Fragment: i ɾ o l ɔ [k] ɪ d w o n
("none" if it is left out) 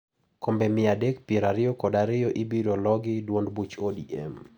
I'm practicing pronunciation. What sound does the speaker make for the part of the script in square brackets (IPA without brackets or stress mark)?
ɡ